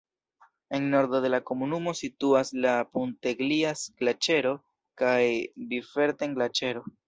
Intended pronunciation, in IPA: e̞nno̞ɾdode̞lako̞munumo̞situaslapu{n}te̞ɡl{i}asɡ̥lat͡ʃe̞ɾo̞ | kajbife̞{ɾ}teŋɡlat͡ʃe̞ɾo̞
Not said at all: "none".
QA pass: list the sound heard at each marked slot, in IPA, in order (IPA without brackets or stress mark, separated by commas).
n, i, ɾ